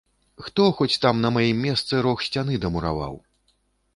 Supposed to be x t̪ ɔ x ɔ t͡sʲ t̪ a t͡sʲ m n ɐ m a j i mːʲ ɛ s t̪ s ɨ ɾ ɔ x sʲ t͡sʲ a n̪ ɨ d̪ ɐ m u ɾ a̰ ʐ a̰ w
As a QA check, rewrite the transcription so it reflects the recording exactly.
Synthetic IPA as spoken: x t̪ ɔ x ɔ t͡sʲ t̪ a m n ɐ m a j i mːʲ ɛ s t̪ s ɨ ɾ ɔ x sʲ t͡sʲ a n̪ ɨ d̪ ɐ m u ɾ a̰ v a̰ w